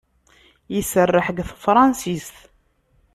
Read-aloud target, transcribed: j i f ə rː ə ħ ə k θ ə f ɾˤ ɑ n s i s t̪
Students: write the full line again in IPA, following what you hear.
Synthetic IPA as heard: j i s ə rː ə ħ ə ɡ θ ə f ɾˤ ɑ n s i s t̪